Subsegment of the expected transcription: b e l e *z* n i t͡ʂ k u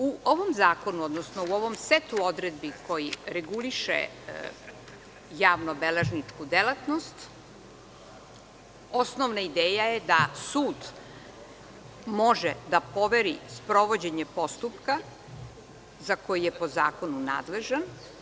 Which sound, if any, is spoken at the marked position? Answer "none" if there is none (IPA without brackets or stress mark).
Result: ʒ